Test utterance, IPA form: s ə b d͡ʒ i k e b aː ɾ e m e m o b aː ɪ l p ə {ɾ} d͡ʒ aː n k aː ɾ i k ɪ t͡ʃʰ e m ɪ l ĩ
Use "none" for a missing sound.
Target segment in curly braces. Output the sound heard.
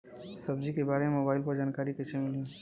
ɾ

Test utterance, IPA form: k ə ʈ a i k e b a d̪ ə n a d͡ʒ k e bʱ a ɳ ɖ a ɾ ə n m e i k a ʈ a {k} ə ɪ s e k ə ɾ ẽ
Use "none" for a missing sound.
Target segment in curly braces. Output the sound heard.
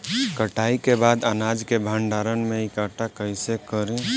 k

